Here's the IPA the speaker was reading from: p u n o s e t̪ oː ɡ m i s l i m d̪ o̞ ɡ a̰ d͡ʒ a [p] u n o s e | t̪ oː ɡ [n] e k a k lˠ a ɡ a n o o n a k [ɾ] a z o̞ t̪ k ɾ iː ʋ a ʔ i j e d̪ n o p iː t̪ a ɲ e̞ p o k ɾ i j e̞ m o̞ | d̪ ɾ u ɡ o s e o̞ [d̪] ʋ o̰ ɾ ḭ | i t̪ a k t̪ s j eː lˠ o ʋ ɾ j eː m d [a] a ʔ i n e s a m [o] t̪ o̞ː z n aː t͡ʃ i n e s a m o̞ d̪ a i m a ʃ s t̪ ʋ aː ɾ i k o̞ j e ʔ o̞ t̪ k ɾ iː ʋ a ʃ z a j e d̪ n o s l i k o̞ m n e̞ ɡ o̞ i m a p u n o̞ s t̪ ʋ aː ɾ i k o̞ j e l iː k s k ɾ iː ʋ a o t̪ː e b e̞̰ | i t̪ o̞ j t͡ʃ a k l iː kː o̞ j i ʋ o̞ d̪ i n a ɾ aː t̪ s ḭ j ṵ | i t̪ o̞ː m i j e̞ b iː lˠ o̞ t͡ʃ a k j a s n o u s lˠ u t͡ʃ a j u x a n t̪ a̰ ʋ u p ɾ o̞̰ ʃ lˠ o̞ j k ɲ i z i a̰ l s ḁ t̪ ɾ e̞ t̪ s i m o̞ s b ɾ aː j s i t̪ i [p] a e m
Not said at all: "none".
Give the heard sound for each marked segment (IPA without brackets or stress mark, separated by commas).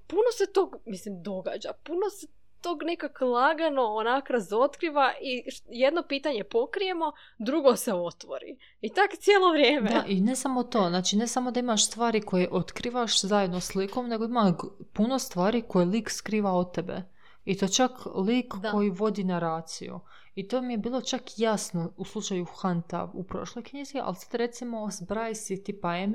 p, n, ɾ, t̪, e, o, p